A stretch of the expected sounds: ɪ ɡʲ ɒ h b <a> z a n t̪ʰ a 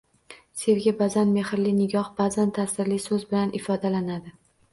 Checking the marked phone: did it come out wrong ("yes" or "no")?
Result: no